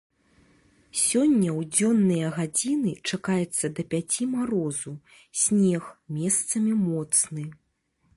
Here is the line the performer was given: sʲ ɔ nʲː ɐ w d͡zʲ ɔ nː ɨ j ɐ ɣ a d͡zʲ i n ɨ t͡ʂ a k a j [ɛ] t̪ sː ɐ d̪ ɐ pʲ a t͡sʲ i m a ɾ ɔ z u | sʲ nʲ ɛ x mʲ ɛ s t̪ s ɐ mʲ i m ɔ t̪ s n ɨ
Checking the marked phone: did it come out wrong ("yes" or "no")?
no